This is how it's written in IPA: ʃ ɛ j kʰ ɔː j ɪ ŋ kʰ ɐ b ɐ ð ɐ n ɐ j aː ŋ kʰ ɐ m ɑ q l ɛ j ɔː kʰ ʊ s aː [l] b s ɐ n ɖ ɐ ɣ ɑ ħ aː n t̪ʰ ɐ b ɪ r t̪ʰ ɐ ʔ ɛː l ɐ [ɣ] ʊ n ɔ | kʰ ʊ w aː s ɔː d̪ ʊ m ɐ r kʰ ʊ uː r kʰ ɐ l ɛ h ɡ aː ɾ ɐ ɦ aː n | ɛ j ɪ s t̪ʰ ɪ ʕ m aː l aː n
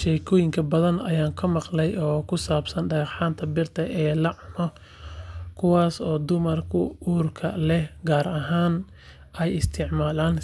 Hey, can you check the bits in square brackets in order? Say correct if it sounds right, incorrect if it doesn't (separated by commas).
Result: incorrect, incorrect